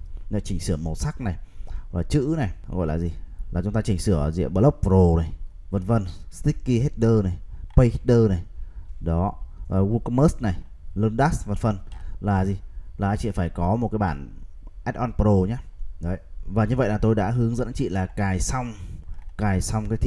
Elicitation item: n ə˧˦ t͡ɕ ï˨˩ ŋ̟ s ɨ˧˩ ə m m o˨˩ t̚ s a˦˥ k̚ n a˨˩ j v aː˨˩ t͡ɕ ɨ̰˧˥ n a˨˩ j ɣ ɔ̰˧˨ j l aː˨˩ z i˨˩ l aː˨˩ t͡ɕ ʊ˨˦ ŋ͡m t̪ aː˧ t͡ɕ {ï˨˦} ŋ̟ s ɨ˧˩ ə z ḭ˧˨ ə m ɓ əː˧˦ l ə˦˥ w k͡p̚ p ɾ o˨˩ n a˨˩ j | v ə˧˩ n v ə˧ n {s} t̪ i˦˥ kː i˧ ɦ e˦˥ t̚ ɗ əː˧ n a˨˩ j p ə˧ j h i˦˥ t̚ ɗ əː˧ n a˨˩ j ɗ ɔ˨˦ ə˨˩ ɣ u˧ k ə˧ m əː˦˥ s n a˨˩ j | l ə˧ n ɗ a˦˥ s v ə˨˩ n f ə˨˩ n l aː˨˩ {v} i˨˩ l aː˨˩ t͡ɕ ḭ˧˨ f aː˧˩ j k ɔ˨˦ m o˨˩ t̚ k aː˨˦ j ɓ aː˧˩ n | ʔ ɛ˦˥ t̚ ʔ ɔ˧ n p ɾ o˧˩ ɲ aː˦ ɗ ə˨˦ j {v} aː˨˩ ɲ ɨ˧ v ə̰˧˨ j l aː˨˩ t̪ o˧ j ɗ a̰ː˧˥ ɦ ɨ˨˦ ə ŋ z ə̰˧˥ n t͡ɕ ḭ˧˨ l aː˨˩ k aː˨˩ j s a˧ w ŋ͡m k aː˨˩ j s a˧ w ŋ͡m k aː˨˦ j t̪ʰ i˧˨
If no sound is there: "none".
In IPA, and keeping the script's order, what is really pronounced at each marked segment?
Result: ï˨˩, s, z, v

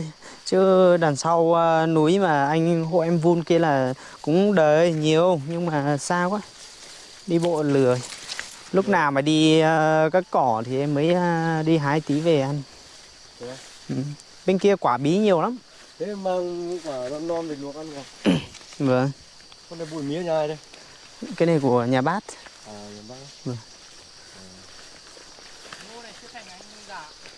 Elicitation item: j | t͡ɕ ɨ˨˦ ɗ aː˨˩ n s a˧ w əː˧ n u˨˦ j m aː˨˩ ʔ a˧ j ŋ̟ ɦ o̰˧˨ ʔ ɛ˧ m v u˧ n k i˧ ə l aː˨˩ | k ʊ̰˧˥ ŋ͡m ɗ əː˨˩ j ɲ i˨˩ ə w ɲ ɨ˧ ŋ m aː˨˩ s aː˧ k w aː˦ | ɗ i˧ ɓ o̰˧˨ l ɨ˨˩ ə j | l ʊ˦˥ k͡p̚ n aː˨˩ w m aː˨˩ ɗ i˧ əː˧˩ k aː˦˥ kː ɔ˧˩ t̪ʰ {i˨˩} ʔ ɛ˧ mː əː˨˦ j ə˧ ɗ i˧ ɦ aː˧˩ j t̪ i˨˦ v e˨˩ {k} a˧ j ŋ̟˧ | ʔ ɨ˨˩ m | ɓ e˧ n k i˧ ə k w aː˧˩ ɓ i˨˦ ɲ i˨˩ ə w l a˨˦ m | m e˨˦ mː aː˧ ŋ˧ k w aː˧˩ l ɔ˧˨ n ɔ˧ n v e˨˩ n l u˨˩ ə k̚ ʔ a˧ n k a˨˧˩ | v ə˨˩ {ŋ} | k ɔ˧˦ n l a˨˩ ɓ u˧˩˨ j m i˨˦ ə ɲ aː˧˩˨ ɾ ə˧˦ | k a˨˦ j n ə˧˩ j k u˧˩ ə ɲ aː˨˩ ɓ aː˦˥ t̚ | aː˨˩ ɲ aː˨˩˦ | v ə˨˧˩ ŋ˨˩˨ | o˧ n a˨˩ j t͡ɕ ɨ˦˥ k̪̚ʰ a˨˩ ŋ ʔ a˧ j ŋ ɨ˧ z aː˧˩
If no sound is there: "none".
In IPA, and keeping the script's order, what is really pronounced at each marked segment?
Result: i˨˩, ʔ, ŋ

